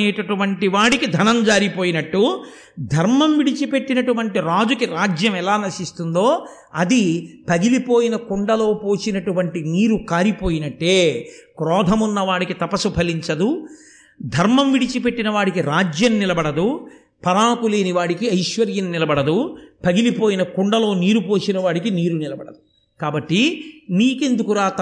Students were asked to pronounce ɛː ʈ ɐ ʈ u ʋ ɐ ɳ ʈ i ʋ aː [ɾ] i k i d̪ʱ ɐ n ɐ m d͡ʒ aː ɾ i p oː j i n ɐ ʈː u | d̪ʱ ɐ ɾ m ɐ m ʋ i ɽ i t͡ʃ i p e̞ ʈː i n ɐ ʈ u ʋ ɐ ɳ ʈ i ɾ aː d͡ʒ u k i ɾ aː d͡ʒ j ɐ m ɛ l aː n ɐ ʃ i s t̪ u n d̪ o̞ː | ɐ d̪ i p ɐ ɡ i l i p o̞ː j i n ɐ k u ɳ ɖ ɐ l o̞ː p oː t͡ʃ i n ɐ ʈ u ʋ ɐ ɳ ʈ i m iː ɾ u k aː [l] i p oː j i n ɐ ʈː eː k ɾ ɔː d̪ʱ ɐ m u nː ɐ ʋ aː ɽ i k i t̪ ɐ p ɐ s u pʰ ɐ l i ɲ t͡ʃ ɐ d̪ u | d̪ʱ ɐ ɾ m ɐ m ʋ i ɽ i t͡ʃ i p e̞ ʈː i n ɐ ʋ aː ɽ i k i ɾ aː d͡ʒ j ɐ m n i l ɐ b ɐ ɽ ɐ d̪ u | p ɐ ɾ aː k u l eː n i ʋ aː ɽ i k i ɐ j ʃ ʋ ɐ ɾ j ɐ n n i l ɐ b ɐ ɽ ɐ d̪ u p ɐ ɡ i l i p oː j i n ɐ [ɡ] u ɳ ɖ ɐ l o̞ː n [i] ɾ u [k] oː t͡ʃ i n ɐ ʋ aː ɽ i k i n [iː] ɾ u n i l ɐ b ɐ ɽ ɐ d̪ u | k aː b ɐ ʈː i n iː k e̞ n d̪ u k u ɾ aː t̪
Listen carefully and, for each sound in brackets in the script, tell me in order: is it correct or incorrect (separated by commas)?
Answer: incorrect, incorrect, incorrect, incorrect, incorrect, correct